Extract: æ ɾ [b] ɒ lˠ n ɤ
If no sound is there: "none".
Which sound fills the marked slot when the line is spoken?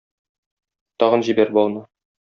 b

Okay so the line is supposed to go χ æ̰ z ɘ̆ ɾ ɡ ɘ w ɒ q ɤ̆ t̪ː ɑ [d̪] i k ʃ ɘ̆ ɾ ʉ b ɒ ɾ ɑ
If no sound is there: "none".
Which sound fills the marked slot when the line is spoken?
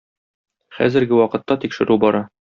t̪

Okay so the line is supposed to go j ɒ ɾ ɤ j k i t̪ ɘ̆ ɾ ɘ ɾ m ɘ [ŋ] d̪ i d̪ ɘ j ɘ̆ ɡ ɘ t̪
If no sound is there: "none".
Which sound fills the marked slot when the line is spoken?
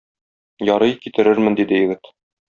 n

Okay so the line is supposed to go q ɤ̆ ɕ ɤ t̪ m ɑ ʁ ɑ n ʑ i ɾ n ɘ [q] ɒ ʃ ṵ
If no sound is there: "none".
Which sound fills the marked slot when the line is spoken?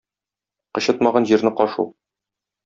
q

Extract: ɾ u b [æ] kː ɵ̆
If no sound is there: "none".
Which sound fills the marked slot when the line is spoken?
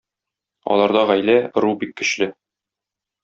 i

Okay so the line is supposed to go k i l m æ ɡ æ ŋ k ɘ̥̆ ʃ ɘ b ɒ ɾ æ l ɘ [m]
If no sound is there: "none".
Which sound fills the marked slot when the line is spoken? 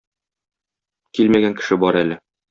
none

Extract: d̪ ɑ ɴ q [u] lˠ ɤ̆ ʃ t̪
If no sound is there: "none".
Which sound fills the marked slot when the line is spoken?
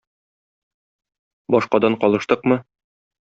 ɒ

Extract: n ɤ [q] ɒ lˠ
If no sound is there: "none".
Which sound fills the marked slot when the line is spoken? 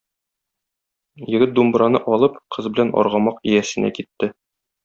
ʔ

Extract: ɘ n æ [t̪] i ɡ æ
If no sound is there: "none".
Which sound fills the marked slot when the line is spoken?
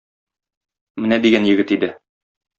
d̪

